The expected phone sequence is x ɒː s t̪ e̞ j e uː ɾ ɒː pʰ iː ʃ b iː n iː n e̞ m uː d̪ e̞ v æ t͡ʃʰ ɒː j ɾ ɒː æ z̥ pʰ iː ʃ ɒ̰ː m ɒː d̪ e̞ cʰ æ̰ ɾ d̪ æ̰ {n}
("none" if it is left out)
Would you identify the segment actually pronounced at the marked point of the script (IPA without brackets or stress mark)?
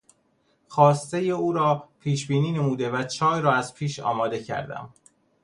m